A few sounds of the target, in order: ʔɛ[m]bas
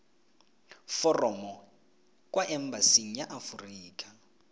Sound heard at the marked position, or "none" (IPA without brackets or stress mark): m